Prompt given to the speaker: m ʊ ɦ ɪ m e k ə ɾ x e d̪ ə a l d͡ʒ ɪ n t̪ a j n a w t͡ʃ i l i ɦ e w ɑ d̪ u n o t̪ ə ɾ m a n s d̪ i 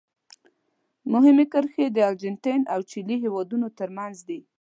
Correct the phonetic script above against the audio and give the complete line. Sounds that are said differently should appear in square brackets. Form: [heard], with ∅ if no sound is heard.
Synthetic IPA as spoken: m ʊ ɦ ɪ m e k ə ɾ x e d̪ ə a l d͡ʒ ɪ n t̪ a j n a w t͡ʃ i l i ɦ e w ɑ d̪ u n o t̪ ə ɾ m a n [z] d̪ i